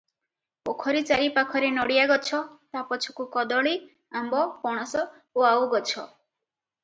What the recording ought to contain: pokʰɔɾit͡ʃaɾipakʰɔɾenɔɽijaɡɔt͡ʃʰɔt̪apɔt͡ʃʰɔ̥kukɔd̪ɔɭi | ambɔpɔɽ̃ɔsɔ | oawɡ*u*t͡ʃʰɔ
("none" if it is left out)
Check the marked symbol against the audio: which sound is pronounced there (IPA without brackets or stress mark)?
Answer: ɔ